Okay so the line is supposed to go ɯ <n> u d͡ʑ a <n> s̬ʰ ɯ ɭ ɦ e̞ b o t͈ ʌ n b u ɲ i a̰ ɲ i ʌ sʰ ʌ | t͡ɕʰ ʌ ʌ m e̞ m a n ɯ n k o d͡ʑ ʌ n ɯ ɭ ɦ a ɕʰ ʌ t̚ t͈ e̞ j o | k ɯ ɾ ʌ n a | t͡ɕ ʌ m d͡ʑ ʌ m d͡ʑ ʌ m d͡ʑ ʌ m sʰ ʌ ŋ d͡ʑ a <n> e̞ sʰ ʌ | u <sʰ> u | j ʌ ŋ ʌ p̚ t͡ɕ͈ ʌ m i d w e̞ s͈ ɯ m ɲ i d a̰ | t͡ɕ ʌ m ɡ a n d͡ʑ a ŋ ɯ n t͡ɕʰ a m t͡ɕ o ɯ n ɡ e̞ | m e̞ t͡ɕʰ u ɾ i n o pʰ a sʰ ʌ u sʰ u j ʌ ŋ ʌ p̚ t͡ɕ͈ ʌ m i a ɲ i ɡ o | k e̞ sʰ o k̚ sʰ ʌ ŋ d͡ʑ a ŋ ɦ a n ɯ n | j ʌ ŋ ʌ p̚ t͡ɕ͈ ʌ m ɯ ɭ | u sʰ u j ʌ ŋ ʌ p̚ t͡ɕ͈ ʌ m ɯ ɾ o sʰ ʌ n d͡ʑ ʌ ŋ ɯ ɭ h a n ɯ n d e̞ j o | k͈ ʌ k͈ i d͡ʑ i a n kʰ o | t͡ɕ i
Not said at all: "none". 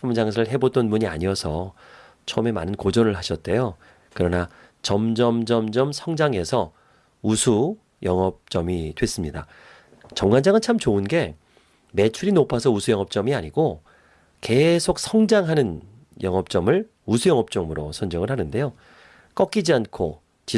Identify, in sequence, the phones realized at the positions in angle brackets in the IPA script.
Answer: m, ŋ, ŋ, sʰ

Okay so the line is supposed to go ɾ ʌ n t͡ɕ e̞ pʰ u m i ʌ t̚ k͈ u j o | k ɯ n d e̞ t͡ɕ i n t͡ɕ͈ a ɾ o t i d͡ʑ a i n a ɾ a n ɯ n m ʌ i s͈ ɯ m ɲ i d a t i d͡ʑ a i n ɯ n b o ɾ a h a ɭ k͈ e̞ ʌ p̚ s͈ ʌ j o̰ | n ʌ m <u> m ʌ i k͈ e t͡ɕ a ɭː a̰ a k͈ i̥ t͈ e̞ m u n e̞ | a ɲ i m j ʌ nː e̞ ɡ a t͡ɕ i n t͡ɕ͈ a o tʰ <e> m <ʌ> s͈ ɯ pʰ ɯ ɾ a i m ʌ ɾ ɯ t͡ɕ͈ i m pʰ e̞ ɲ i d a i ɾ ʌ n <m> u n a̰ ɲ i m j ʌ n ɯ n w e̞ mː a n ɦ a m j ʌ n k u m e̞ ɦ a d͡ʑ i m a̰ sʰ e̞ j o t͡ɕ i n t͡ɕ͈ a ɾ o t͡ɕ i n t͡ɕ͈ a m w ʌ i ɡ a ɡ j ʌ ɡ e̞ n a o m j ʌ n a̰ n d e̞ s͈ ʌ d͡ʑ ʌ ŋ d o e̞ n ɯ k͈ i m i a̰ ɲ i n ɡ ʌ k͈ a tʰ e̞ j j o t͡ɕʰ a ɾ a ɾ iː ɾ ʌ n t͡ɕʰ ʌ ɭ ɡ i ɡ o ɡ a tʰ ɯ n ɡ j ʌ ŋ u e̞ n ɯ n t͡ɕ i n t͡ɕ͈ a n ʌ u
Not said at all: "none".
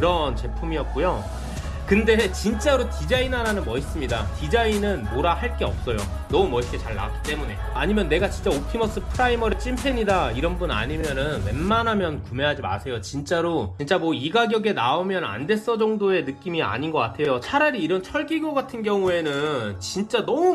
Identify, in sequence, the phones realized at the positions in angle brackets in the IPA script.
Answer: u, i, ʌ, b

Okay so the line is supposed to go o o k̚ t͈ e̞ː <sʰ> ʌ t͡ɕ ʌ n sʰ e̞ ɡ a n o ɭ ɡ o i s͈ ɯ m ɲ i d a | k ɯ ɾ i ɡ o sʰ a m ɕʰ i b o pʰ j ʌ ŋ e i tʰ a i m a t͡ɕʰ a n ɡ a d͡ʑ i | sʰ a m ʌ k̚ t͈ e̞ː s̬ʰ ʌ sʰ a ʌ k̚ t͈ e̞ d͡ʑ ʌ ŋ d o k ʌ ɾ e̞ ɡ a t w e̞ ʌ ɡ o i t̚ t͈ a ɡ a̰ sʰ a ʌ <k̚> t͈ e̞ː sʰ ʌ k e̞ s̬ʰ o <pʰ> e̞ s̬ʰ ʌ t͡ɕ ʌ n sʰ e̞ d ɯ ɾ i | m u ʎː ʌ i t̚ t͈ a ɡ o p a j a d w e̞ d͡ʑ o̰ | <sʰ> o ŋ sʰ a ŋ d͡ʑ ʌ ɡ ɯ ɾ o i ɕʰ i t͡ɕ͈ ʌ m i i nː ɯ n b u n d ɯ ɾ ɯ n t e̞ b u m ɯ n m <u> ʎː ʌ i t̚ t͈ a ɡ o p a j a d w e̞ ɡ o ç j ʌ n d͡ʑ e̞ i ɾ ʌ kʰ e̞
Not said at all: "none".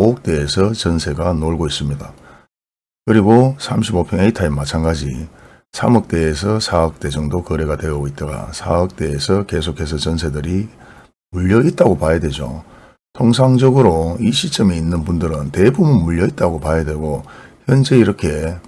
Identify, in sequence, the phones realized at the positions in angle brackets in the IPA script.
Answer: sʰ, k̚, kʰ, tʰ, u

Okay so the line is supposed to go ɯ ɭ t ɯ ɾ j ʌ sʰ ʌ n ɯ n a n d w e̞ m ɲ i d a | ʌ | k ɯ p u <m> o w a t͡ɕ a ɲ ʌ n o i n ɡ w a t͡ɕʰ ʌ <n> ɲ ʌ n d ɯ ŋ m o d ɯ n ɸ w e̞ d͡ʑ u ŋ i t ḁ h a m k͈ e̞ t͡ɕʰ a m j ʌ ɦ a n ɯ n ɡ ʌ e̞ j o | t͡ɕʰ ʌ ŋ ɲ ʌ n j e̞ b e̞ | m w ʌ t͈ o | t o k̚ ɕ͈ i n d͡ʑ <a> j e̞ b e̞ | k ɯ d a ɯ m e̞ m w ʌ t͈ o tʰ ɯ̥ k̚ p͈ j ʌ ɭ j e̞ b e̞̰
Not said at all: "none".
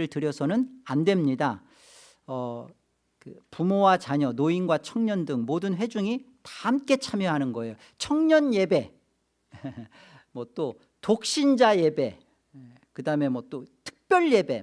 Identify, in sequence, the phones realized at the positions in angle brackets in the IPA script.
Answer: m, ŋ, a

